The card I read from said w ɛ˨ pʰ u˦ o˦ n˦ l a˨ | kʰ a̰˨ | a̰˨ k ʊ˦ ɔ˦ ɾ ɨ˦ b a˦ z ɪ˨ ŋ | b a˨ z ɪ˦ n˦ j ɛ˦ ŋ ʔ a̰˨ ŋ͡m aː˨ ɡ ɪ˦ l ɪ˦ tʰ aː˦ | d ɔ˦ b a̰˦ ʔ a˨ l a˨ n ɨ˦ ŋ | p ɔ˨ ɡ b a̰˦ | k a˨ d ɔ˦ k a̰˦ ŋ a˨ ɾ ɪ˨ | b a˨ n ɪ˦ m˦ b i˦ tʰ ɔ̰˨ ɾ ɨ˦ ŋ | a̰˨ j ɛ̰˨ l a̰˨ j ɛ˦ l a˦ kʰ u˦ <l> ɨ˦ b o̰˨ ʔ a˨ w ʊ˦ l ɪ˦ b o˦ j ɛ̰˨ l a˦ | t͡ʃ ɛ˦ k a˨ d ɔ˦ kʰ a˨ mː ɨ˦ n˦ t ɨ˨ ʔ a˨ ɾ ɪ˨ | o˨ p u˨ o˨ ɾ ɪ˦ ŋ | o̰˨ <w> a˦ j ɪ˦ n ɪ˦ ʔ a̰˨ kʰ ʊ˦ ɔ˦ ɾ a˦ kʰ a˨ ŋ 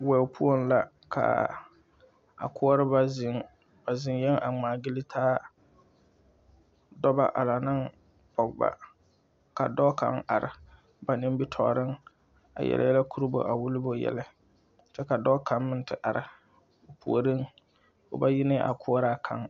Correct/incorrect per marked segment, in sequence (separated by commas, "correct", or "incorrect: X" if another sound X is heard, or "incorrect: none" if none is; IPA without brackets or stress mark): incorrect: ɾ, incorrect: b